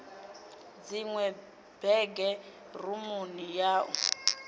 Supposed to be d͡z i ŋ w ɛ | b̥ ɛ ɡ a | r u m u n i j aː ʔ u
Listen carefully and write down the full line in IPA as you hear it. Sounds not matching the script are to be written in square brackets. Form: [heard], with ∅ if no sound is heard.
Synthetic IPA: d͡z i ŋ w ɛ | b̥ ɛ ɡ [ɛ] | r u m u n i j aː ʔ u